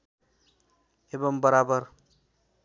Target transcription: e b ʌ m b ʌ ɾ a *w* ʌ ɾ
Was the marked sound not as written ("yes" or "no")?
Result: yes